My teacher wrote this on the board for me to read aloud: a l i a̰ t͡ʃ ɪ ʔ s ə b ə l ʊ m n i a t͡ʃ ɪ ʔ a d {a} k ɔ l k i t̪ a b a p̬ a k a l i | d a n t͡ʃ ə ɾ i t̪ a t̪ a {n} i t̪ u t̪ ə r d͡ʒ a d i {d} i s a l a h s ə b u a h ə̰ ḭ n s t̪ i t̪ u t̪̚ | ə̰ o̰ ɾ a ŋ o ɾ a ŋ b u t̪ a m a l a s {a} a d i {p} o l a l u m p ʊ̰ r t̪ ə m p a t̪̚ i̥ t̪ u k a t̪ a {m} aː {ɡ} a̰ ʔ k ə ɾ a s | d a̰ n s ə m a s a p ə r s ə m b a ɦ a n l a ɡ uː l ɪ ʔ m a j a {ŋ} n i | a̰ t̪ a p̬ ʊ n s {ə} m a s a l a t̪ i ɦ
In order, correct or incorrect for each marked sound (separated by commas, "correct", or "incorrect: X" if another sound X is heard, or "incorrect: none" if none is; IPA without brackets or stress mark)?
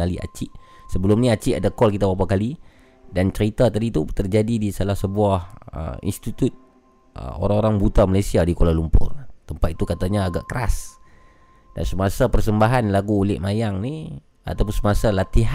correct, incorrect: d, correct, incorrect: i, incorrect: k, incorrect: ɲ, correct, correct, correct